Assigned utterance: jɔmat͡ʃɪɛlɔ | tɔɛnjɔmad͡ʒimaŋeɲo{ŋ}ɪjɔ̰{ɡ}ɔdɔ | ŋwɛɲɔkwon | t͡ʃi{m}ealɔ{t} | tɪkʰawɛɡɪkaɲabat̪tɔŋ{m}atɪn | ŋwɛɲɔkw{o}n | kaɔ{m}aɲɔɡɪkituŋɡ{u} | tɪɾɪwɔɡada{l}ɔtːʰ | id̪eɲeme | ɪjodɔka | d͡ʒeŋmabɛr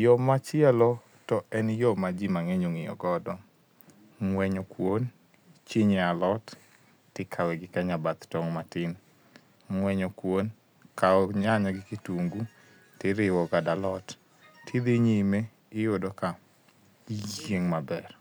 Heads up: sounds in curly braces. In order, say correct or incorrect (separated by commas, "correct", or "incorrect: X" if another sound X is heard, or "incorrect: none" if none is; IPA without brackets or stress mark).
correct, correct, incorrect: ɲ, correct, correct, correct, incorrect: ɲ, correct, correct